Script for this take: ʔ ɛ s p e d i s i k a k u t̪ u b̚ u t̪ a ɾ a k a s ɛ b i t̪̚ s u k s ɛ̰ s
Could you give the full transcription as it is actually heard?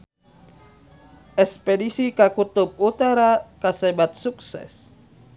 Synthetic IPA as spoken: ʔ ɛ s p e d i s i k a k u t̪ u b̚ u t̪ a ɾ a k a s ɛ b a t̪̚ s u k s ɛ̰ s